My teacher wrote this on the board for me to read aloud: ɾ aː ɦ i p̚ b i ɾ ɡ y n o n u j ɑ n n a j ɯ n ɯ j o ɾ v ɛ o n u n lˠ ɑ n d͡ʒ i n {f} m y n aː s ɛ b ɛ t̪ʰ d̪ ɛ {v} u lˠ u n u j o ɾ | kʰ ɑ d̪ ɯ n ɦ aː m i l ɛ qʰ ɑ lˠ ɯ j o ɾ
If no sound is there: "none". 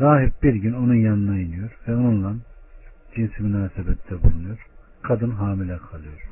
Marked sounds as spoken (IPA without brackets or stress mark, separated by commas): s, b